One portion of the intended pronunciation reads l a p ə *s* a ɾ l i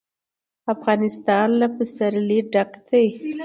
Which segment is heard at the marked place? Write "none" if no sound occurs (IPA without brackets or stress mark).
s